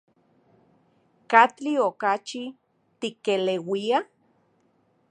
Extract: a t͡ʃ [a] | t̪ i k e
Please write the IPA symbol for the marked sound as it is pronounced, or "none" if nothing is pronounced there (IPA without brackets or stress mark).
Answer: i